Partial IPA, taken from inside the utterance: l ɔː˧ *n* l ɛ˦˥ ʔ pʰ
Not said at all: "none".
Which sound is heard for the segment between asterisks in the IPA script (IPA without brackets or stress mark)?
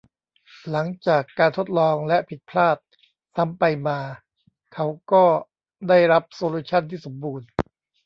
ŋ